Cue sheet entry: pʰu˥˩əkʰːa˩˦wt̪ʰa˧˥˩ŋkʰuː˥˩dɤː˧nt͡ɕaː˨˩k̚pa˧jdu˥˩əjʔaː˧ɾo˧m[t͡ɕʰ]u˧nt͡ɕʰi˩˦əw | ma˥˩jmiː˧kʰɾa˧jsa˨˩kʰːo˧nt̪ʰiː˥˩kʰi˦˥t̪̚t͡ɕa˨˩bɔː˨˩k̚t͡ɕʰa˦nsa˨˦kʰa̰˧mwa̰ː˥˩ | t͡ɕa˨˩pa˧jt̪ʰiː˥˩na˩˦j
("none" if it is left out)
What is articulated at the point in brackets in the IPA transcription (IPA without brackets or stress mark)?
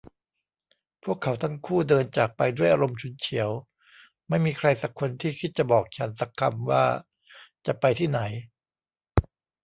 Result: t͡ɕʰ